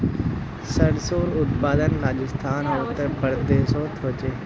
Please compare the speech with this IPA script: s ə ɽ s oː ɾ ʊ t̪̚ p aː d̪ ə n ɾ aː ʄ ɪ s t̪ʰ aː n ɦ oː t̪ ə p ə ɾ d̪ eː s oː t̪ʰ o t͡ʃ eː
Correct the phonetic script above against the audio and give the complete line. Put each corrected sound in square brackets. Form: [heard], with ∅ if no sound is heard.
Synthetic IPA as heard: s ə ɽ s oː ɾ ʊ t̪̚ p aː d̪ ə n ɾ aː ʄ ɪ s t̪ʰ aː n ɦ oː t̪ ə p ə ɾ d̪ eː s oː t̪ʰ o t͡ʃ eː